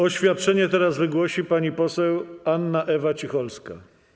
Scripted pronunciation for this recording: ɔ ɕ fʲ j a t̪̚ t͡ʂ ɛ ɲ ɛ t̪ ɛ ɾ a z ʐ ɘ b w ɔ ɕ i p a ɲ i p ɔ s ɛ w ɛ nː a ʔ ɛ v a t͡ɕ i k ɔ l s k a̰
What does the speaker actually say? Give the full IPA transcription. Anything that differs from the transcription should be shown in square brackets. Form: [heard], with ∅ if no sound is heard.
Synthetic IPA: ɔ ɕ fʲ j a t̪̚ t͡ʂ ɛ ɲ ɛ t̪ ɛ ɾ a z [v] ɘ [ɡ] w ɔ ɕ i p a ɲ i p ɔ s ɛ w [a] nː a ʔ ɛ v a t͡ɕ i [x] ɔ l s k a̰